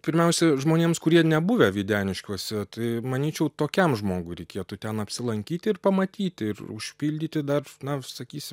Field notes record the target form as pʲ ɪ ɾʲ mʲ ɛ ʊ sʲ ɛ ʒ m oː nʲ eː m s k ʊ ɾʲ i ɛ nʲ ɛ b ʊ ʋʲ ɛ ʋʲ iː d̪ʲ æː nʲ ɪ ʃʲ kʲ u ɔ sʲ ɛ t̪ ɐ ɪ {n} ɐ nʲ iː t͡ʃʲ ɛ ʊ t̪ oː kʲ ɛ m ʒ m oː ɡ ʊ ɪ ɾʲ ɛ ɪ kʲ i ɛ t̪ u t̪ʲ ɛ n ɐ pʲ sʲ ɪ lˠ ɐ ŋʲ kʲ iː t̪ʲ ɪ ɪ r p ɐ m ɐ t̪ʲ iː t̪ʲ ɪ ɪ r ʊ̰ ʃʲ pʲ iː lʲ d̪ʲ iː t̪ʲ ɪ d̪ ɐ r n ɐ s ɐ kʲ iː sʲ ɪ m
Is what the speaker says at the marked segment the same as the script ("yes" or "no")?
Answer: no